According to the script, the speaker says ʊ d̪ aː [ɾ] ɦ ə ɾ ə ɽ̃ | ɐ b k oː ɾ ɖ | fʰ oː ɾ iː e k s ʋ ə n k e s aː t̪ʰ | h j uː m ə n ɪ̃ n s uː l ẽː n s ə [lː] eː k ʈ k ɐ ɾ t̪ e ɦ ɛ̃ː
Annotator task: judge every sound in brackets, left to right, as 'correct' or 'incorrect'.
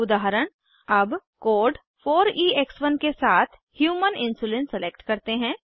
incorrect, incorrect

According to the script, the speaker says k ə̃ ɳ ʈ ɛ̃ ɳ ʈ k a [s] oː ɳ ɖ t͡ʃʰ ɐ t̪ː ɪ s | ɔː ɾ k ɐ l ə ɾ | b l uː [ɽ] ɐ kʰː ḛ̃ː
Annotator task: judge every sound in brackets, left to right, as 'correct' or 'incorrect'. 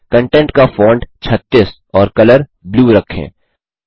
incorrect, incorrect

